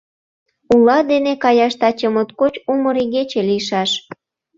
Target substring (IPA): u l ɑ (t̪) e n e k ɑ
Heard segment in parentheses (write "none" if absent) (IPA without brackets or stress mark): d̪